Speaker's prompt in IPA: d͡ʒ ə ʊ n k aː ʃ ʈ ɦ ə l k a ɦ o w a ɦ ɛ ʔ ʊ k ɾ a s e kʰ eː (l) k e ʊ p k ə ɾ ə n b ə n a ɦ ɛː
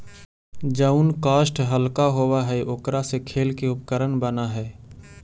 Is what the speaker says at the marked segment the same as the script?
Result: yes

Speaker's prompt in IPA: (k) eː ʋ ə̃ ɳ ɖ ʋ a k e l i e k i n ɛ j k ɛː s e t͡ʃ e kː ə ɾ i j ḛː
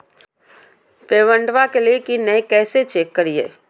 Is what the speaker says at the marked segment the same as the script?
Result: no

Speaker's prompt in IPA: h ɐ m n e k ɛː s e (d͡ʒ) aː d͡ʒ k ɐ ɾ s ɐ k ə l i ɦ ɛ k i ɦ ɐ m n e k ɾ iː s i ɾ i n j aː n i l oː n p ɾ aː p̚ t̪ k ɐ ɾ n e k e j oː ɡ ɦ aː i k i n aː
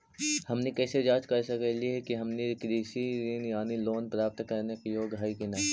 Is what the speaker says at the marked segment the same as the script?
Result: yes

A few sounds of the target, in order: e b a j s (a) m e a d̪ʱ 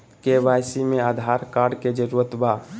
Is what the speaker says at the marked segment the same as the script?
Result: no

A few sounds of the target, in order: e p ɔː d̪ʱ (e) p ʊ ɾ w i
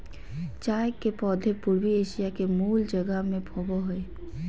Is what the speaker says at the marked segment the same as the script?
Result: yes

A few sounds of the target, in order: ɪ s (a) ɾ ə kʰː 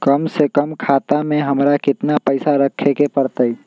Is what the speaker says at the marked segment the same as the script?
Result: yes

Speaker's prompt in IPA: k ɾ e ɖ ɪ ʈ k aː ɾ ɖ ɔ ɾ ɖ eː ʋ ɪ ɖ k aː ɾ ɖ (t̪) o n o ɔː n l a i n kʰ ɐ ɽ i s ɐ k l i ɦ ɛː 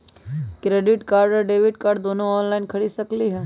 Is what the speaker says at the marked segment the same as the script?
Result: no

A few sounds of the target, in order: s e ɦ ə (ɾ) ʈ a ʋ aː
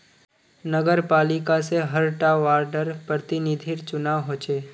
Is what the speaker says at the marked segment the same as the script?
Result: yes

